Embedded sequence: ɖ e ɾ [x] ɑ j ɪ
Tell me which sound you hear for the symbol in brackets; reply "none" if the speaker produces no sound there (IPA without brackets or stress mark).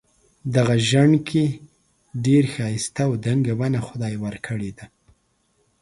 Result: x